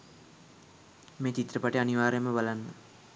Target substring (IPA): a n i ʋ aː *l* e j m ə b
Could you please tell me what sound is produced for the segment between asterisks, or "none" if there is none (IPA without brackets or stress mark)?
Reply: ɾ